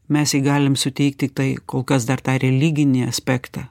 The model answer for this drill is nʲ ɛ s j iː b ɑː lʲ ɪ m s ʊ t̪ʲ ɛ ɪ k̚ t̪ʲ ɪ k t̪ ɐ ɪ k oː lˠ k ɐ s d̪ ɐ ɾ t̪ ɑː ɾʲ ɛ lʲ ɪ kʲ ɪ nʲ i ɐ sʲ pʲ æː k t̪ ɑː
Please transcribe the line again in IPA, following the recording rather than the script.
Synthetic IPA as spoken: mʲ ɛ s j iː ɡ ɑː lʲ ɪ m s ʊ t̪ʲ ɛ ɪ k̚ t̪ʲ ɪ k t̪ ɐ ɪ k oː lˠ k ɐ s d̪ ɐ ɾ t̪ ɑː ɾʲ ɛ lʲ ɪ ɡʲ ɪ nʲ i ɐ sʲ pʲ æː k t̪ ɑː